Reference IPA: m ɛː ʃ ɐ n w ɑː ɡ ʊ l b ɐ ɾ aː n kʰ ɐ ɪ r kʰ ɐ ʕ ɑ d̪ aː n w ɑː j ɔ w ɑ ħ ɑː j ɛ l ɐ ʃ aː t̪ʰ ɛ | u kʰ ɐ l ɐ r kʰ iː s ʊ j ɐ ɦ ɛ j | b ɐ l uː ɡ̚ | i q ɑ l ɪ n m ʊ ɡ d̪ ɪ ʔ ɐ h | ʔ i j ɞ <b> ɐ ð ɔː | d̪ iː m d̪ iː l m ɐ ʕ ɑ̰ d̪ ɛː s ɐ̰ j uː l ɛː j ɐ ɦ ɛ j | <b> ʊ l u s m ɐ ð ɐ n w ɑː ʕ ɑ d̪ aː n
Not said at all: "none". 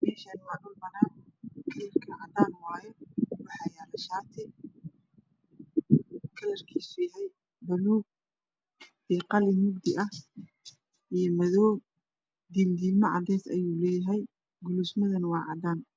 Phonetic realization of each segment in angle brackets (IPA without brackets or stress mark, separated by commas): m, ɡ